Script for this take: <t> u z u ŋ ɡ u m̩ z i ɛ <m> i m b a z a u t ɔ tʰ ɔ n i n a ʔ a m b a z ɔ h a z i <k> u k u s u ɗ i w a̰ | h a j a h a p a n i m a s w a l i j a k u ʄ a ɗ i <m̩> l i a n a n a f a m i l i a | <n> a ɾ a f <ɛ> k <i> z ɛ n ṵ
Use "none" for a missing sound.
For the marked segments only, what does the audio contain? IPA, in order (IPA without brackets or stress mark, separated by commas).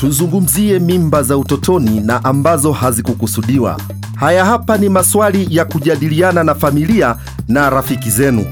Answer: t, m, k, none, n, i, i